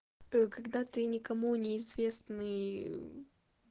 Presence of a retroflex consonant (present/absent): absent